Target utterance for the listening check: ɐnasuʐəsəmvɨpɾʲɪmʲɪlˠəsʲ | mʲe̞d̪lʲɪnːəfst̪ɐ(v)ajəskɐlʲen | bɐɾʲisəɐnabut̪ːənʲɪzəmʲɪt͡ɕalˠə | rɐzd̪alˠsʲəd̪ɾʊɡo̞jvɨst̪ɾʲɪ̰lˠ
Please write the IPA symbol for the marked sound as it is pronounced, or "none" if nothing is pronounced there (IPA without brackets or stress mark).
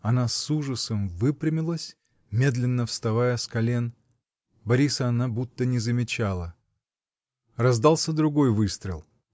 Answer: v